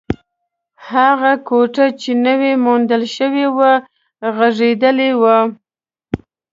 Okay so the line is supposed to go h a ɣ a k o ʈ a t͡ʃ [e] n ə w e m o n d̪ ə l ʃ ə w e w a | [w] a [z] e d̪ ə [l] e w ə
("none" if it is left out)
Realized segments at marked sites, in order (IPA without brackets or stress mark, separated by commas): e, ɣ, ʐ, l